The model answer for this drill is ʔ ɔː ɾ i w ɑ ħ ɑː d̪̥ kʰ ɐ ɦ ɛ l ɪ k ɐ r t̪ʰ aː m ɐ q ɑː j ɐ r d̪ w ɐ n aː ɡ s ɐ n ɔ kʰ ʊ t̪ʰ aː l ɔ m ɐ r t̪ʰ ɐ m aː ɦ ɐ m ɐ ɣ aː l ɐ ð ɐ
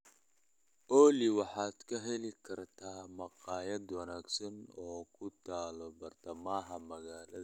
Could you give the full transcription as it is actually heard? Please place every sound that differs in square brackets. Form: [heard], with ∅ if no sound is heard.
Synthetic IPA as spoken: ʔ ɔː [l] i w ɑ ħ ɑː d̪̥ kʰ ɐ ɦ ɛ l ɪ [kʰ] ɐ r t̪ʰ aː m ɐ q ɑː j ɐ [∅] d̪ w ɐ n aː ɡ s ɐ n [ɔː] kʰ ʊ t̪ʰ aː l ɔ [b] ɐ r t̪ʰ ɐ m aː ɦ ɐ m ɐ ɣ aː l ɐ ð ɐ